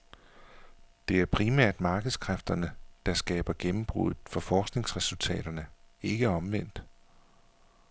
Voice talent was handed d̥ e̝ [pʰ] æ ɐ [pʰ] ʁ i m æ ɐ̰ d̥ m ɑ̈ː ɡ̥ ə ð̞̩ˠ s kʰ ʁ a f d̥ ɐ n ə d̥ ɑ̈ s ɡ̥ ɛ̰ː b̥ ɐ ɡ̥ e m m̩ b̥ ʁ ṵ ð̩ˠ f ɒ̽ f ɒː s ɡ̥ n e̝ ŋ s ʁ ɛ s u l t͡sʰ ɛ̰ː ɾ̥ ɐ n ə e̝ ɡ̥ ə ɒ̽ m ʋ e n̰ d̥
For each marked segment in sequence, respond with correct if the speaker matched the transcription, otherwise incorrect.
incorrect: none, correct

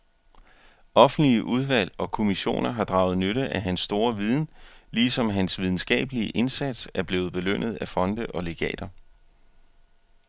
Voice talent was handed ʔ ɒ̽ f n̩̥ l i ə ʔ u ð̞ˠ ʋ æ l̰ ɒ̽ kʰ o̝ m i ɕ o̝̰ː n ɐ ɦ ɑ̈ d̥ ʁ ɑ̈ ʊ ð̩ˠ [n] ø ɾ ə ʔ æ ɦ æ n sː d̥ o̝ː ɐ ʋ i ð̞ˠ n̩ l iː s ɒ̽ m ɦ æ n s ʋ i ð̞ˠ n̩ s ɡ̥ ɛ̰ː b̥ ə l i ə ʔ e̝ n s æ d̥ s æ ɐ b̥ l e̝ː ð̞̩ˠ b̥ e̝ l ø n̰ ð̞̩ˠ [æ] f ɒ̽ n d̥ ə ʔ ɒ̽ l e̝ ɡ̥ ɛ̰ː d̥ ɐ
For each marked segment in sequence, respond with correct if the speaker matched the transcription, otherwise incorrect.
correct, correct

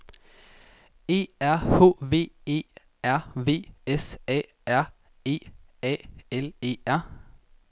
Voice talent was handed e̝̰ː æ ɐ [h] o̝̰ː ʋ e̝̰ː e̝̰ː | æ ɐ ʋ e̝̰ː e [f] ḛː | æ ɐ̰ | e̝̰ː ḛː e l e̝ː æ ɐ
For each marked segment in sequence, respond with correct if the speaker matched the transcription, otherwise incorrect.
correct, incorrect: s

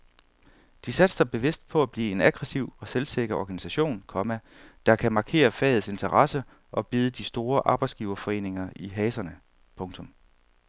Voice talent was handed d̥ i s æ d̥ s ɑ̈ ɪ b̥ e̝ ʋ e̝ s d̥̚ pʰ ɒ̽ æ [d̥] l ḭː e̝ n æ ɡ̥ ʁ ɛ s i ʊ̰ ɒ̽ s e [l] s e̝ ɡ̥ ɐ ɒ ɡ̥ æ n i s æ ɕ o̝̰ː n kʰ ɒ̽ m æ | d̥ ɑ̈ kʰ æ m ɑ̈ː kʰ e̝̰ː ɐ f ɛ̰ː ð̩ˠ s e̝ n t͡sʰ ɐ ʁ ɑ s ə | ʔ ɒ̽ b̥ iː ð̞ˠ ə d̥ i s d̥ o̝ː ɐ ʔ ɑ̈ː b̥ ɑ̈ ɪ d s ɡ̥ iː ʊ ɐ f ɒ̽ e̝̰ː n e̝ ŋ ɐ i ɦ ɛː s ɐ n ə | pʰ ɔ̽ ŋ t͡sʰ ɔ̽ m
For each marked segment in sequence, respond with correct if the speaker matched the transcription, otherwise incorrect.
incorrect: b̥, correct

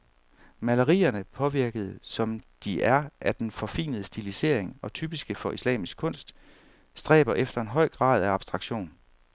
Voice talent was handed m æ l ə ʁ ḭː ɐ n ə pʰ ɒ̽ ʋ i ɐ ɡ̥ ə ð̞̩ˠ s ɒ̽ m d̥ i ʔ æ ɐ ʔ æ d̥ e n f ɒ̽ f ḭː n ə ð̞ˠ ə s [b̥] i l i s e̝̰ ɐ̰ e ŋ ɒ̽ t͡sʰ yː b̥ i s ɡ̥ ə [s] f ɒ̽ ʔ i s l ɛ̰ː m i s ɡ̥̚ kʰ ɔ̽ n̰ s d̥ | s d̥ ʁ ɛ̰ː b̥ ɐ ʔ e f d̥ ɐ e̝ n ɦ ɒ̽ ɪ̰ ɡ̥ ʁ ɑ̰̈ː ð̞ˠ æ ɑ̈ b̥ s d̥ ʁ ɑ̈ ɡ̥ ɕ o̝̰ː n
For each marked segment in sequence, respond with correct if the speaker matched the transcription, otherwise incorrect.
incorrect: d̥, incorrect: none

